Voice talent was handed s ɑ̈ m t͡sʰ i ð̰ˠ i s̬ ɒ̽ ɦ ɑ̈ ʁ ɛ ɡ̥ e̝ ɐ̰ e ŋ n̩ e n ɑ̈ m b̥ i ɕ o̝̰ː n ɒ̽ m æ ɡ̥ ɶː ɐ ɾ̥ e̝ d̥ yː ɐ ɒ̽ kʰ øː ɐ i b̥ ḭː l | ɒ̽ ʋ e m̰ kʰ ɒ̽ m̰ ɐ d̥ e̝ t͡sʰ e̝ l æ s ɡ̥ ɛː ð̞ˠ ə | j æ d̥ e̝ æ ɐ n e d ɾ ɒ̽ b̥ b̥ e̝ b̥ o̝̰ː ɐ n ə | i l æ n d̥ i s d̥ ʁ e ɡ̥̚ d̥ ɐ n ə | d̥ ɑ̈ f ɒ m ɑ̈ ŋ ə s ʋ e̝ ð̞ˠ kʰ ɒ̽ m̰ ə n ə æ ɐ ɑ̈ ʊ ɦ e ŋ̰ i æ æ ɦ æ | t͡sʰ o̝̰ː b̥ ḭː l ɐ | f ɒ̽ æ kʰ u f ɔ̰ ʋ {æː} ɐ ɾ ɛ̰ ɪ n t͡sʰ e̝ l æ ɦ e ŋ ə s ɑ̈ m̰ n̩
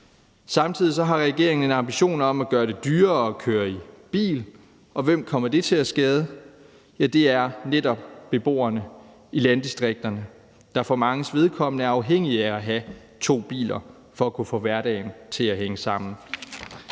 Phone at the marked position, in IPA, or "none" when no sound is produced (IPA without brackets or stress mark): æ